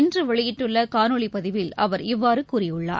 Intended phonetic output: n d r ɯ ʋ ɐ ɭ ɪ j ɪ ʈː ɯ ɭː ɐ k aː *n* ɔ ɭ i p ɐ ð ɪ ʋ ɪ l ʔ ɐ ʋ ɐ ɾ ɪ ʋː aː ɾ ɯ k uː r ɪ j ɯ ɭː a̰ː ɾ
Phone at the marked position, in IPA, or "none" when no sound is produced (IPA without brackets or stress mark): n